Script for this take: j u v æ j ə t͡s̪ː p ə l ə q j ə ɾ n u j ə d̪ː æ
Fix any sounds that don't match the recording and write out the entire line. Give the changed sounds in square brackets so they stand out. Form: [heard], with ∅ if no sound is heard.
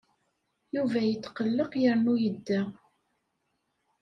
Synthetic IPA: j u v æ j ə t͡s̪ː [q] ə [lː] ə q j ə ɾ n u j ə d̪ː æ